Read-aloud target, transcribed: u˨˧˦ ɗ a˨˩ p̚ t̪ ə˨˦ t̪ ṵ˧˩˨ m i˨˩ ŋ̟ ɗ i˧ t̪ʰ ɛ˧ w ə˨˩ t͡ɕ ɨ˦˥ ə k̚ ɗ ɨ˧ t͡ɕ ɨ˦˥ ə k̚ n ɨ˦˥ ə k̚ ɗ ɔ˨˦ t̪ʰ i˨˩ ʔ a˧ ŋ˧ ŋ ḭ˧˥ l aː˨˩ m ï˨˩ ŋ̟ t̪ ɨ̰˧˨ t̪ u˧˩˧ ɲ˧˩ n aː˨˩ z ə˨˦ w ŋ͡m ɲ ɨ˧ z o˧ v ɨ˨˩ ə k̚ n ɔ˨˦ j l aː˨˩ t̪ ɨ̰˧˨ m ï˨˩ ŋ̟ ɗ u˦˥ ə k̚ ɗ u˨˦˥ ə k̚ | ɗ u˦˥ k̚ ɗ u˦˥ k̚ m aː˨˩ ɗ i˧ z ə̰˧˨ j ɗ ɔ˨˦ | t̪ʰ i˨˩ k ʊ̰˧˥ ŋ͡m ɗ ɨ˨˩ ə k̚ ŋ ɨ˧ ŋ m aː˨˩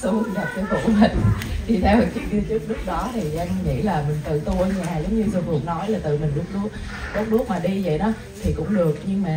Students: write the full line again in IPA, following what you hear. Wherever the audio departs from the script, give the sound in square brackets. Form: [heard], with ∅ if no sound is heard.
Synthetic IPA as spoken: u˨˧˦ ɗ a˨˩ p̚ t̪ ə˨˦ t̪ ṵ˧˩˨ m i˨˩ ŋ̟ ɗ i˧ t̪ʰ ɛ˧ w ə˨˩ t͡ɕ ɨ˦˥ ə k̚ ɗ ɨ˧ t͡ɕ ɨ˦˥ ə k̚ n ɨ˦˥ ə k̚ ɗ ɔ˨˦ t̪ʰ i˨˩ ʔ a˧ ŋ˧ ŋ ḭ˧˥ l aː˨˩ m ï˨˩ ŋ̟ t̪ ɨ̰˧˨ t̪ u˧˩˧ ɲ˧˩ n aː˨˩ z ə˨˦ w ŋ͡m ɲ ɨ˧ z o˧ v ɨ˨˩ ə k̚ n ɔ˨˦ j l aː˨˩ t̪ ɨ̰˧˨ m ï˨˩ ŋ̟ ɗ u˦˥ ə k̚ ɗ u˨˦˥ ə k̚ | ɗ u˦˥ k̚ ɗ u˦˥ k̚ m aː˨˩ ɗ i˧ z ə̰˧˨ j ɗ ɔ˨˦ | t̪ʰ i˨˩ k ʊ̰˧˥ ŋ͡m ɗ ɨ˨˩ ə k̚ [ɲ] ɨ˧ ŋ m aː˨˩